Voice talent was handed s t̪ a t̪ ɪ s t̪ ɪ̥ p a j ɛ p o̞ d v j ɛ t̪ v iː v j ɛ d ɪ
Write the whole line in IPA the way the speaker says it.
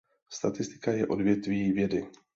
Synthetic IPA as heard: s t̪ a t̪ ɪ s t̪ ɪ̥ k a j ɛ ʔ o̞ d v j ɛ t̪ v iː v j ɛ d ɪ